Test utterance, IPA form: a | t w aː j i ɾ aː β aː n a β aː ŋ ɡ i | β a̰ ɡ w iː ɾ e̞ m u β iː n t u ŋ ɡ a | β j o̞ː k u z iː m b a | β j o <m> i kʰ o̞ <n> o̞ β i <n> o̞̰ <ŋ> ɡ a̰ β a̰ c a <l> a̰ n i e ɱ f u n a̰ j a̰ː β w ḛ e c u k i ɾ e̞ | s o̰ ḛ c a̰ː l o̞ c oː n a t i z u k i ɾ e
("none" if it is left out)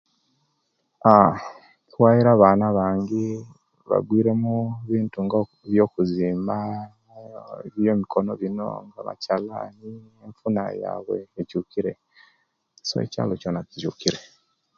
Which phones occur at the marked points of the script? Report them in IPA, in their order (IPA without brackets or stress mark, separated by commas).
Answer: m, n, n, ŋ, l